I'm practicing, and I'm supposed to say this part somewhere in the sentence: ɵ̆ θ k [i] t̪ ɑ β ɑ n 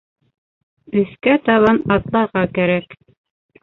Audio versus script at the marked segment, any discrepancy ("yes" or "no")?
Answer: yes